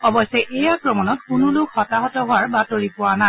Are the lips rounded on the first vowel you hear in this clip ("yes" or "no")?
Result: yes